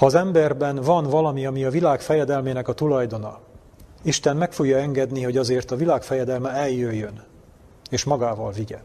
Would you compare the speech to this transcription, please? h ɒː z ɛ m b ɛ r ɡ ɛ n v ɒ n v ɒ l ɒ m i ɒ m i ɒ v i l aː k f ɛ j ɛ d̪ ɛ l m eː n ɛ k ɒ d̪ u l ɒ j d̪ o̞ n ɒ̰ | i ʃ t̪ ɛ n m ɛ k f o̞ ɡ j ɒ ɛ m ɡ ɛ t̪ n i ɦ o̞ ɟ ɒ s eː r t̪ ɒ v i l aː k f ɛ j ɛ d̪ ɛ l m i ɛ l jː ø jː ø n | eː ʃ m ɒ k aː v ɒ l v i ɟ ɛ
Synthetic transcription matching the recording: h ɒː z ɛ m b ɛ r b ɛ n v ɒ n v ɒ l ɒ m i ɒ m i ɒ v i l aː k f ɛ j ɛ d̪ ɛ l m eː n ɛ k ɒ t̪ u l ɒ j d̪ o̞ n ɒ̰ | i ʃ t̪ ɛ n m ɛ k f o̞ ɡ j ɒ ɛ ŋ ɡ ɛ d̪ n i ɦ o̞ ɟ ɒ z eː r t̪ ɒ v i l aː k f ɛ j ɛ d̪ ɛ l m ɛ ɛ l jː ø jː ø n | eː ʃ m ɒ ɡ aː v ɒ l v i ɟ ɛ